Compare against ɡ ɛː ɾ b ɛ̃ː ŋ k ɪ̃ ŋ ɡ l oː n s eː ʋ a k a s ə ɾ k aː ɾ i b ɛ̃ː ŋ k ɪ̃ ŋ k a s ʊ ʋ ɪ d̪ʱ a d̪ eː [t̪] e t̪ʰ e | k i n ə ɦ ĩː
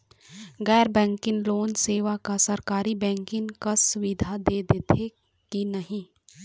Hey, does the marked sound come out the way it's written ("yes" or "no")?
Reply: no